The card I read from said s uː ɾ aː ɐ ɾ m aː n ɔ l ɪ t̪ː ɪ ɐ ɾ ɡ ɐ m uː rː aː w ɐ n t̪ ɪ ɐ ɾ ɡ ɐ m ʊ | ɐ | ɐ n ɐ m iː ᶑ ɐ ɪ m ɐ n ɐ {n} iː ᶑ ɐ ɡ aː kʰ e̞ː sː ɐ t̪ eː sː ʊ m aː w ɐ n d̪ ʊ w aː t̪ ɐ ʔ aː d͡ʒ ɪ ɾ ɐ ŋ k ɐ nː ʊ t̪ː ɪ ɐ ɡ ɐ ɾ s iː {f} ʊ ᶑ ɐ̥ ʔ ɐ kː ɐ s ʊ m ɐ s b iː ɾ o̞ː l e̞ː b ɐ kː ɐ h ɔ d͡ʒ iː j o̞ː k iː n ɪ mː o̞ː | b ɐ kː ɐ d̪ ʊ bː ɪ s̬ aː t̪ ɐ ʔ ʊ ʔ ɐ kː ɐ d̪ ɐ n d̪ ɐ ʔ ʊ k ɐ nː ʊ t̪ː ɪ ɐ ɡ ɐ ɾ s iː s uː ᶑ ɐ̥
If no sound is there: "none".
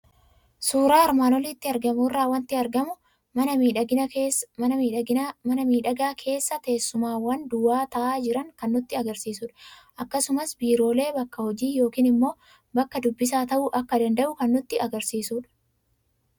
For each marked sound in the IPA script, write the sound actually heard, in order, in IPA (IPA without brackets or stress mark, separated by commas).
m, s